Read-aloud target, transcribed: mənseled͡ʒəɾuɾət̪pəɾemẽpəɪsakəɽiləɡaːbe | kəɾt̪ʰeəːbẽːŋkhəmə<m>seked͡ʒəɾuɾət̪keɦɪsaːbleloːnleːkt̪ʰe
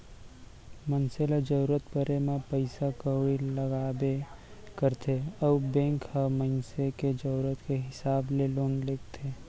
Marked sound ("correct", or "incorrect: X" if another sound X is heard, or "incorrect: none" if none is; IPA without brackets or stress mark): incorrect: n